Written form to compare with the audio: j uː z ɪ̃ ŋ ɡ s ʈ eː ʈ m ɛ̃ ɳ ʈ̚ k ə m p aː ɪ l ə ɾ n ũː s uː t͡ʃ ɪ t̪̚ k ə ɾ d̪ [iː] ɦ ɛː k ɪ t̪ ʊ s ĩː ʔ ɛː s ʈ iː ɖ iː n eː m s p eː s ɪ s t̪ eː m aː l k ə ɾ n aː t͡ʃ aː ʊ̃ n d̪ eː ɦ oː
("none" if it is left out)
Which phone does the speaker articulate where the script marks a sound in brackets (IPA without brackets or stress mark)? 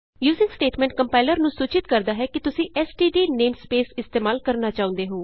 aː